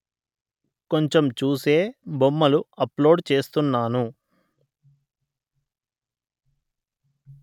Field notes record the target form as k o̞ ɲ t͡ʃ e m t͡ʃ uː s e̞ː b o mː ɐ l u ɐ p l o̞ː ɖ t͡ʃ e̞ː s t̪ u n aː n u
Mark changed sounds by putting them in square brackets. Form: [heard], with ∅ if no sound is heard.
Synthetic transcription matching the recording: k o̞ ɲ t͡ʃ e m t͡ʃ uː s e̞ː b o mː ɐ l u ɐ p l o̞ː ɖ t͡ʃ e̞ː s t̪ u [nː] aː n u